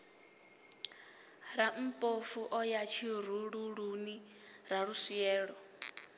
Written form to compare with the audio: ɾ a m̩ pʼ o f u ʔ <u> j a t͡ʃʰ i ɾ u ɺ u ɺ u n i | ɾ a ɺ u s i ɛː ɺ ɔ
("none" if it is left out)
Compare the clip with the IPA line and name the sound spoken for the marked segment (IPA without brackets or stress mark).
ɔ